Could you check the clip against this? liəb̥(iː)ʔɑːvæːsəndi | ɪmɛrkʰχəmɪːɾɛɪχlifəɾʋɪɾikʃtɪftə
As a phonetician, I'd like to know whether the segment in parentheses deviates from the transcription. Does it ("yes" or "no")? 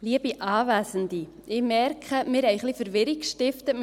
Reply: yes